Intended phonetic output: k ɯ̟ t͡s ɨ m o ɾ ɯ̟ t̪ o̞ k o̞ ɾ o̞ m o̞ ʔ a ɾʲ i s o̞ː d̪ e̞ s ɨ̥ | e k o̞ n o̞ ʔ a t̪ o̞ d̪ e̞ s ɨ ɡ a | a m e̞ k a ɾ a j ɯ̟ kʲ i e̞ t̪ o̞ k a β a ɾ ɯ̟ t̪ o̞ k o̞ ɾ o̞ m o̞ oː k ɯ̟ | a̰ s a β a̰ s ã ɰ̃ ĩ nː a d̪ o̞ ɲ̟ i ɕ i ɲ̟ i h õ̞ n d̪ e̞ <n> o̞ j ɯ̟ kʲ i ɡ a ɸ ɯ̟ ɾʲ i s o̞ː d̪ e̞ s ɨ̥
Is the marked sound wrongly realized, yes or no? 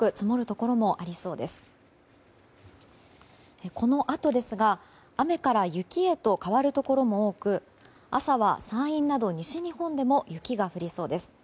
yes